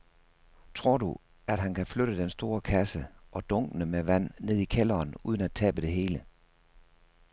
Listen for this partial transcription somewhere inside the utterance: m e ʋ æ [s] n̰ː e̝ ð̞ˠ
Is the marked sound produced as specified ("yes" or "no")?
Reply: no